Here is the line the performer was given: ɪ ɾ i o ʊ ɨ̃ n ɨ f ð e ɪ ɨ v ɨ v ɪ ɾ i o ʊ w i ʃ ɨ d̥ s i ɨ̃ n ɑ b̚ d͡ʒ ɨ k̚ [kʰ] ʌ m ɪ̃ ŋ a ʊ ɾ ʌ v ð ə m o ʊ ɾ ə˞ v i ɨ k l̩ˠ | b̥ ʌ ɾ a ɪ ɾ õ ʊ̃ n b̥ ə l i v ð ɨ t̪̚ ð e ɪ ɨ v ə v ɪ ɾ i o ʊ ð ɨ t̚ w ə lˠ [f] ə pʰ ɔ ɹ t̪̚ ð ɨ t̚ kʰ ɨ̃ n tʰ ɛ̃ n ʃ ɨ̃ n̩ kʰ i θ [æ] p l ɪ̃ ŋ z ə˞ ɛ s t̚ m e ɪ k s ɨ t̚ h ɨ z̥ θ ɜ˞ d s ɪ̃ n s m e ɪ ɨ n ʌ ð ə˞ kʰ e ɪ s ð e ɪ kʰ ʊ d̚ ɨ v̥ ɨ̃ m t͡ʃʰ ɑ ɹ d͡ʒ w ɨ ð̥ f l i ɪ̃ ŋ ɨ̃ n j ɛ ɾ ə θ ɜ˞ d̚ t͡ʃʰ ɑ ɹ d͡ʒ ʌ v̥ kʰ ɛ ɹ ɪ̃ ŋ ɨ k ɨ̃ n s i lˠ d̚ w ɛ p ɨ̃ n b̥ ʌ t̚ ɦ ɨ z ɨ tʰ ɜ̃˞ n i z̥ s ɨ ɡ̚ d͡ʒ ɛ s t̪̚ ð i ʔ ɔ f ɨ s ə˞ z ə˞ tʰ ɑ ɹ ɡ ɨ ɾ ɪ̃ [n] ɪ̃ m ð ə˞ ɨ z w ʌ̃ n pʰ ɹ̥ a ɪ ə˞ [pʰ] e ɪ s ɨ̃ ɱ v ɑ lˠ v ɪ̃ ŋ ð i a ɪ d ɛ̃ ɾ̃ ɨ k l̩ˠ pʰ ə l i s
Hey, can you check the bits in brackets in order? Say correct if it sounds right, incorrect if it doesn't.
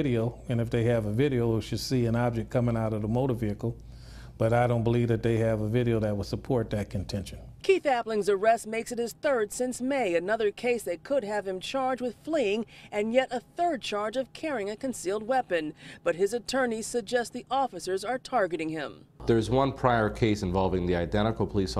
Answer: correct, incorrect: s, correct, incorrect: ŋ, incorrect: kʰ

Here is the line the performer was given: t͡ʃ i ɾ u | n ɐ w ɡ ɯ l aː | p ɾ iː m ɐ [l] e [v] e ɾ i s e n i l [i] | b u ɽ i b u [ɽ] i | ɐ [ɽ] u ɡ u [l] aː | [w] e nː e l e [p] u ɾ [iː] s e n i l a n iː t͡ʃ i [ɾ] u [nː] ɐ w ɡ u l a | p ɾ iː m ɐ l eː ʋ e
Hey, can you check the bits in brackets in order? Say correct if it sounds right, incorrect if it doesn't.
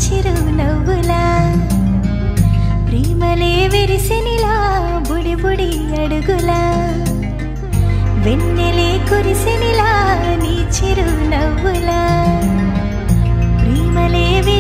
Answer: correct, incorrect: ʋ, incorrect: a, correct, correct, correct, incorrect: ʋ, incorrect: k, incorrect: i, correct, incorrect: n

